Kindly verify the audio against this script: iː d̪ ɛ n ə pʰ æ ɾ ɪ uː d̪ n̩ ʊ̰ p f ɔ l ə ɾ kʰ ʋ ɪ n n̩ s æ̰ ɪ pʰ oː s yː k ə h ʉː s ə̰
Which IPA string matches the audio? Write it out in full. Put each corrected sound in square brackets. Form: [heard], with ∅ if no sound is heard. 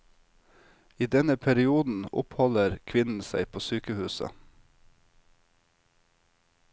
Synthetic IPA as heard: iː d̪ ɛ n ə pʰ æ ɾ ɪ uː d̪ n̩ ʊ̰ p [h] ɔ l ə ɾ kʰ ʋ ɪ n n̩ s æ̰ ɪ pʰ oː s yː k ə h ʉː s ə̰